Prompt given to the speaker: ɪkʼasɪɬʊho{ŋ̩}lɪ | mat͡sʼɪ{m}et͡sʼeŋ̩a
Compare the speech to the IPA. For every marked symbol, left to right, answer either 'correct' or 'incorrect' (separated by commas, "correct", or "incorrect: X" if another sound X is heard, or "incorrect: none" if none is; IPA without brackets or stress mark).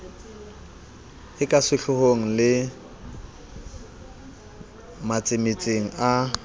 correct, correct